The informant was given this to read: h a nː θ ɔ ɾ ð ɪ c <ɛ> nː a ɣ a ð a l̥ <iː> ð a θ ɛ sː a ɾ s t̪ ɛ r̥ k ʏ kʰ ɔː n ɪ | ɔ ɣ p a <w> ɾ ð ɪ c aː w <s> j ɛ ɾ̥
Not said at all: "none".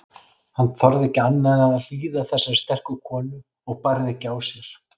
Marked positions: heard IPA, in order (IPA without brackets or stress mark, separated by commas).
a, iː, none, s